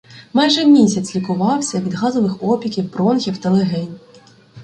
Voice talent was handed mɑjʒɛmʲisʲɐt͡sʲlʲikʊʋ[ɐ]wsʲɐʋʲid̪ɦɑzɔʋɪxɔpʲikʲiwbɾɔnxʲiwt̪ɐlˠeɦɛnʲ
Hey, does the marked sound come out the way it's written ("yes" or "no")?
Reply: no